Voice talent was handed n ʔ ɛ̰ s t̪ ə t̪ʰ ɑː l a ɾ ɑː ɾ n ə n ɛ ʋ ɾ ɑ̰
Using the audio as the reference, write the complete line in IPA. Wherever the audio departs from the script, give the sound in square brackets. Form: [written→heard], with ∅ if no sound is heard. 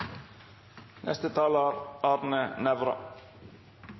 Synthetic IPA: n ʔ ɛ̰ s t̪ ə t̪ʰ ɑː l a ɾ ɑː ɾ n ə n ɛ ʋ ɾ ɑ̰

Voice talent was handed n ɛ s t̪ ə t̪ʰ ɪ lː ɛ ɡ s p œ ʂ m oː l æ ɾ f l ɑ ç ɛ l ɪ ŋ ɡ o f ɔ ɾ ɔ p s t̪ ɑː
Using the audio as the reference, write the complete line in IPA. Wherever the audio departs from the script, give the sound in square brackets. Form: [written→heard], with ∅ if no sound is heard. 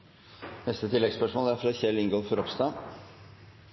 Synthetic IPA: n ɛ s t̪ ə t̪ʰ ɪ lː ɛ ɡ s p œ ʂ m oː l æ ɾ f [l→ɾ] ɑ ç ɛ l ɪ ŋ ɡ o f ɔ ɾ ɔ p s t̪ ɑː

